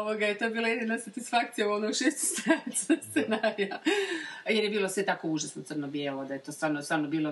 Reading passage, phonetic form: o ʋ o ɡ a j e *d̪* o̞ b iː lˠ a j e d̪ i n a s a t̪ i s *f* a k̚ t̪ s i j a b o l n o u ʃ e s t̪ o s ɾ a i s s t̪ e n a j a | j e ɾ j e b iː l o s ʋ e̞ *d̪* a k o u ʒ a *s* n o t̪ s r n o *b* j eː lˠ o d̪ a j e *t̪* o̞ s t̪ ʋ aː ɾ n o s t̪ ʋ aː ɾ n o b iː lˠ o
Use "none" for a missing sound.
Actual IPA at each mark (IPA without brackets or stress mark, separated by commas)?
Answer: t̪, f, t̪, s, b, t̪